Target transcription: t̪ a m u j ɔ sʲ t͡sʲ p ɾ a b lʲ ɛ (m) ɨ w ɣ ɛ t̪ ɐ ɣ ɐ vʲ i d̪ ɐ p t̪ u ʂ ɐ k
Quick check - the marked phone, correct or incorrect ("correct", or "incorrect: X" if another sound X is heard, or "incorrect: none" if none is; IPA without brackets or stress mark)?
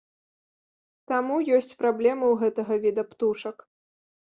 correct